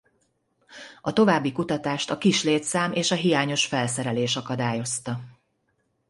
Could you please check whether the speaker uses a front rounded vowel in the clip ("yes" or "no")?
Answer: no